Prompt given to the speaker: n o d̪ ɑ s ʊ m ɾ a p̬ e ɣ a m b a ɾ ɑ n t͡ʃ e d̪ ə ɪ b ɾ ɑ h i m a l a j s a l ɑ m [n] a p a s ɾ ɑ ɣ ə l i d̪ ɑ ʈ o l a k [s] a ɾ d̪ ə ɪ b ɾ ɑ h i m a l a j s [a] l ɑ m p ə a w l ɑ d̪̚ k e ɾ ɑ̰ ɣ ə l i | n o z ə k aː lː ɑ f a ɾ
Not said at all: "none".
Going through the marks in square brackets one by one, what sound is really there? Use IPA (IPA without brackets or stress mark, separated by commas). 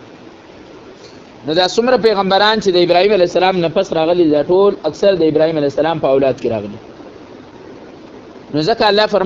n, s, a